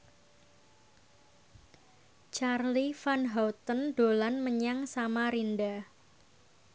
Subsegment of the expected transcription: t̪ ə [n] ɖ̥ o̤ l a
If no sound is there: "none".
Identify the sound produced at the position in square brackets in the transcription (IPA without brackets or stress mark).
n